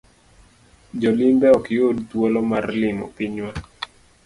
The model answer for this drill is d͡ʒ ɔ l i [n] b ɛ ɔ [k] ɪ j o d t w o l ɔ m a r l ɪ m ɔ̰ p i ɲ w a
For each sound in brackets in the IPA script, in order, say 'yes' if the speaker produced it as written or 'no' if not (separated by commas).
no, yes